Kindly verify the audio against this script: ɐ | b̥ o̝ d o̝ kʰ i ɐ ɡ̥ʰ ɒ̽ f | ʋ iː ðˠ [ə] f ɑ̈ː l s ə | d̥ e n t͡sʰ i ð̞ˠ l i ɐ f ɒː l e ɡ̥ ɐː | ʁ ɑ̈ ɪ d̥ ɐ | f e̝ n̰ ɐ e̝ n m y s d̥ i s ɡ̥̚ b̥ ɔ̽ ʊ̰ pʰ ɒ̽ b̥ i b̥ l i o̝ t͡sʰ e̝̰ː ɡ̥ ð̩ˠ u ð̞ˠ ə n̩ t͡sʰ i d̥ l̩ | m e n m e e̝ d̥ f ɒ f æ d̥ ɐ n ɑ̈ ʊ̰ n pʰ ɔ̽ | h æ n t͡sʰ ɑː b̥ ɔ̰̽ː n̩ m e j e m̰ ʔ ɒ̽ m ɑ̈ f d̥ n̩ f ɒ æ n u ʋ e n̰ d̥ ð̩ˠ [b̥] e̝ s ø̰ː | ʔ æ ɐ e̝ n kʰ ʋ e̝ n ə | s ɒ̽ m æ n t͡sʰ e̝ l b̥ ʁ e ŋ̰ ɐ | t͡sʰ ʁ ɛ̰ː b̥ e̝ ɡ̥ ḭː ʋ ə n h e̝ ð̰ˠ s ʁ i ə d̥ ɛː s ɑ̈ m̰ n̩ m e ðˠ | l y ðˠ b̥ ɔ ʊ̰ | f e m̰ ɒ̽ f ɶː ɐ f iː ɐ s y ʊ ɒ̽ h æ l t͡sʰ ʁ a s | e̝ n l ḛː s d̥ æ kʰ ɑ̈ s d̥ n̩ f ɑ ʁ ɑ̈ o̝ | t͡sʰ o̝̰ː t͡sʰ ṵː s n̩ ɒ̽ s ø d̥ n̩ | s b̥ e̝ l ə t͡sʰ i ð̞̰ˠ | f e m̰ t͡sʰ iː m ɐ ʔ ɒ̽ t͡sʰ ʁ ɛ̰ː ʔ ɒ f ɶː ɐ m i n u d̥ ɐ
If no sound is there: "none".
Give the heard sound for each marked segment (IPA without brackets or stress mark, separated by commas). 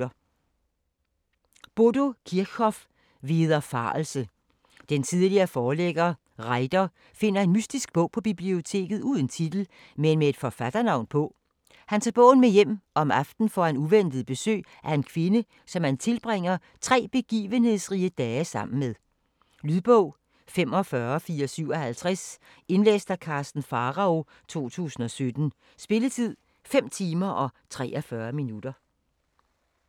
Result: ɐ, b̥